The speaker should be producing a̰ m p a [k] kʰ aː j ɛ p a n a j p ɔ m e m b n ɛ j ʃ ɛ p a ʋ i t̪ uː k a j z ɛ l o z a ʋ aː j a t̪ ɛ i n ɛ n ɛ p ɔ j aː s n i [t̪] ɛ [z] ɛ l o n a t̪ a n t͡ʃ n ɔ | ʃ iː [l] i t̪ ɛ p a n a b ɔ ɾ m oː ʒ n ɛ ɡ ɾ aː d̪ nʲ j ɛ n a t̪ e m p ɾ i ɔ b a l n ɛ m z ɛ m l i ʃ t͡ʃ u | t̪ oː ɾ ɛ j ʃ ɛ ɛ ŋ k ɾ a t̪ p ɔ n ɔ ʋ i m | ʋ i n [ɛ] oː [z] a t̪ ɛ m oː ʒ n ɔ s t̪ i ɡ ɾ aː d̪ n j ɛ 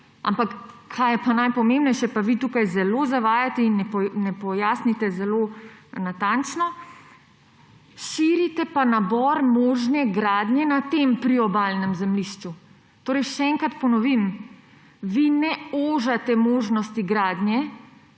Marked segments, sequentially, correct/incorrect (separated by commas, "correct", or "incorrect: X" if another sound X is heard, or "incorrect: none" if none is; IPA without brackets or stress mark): correct, correct, correct, incorrect: ɾ, correct, incorrect: ʒ